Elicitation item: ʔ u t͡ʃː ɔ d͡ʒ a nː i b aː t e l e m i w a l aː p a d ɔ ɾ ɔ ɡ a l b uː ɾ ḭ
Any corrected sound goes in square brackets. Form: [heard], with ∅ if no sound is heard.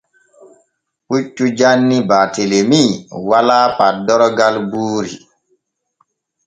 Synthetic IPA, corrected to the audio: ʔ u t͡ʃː [u] d͡ʒ a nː i b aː t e l e m i w a l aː p a d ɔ ɾ ɔ ɡ a l b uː ɾ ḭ